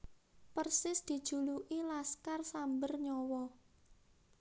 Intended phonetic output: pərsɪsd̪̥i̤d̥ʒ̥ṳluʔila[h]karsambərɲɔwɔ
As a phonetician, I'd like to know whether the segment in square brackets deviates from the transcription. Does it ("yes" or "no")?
yes